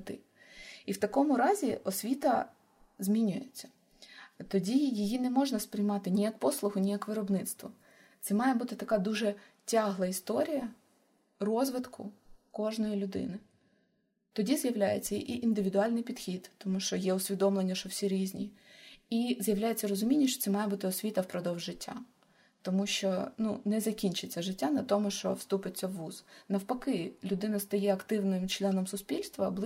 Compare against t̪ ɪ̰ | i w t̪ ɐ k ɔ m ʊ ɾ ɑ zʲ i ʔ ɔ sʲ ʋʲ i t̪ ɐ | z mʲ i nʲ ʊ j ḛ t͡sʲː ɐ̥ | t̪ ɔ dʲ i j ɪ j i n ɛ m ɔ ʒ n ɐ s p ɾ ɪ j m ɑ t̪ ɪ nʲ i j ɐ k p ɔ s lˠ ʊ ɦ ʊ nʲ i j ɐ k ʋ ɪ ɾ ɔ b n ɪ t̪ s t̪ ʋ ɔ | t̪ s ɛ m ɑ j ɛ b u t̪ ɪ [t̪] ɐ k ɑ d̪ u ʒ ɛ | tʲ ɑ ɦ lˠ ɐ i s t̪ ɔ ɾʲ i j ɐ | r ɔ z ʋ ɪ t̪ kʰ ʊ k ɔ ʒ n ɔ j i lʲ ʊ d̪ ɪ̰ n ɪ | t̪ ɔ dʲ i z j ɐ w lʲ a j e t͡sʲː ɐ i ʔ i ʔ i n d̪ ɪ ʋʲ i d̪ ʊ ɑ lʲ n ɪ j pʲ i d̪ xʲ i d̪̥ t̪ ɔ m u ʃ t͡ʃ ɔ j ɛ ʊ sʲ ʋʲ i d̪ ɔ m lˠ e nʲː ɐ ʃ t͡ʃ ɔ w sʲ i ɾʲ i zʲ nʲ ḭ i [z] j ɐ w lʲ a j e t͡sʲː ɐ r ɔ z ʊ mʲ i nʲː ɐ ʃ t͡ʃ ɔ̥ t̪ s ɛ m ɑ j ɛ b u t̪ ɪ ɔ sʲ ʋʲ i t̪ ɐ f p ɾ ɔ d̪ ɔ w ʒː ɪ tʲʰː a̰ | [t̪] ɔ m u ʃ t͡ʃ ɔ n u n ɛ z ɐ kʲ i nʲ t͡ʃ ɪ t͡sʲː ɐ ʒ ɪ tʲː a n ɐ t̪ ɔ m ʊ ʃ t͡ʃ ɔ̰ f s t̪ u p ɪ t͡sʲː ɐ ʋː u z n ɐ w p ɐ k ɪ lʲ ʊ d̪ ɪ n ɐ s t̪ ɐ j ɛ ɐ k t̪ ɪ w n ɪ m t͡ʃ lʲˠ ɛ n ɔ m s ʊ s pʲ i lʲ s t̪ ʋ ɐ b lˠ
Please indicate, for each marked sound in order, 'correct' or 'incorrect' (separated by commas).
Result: correct, correct, correct